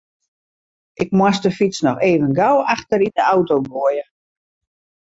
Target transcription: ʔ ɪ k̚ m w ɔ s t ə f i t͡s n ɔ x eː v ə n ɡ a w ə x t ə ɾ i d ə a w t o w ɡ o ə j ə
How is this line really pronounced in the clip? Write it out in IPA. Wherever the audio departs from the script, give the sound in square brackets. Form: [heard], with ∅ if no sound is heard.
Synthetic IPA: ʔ ɪ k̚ m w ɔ s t ə f i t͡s n ɔ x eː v ə n ɡ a w [a] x t ə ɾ i d ə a w t o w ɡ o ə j ə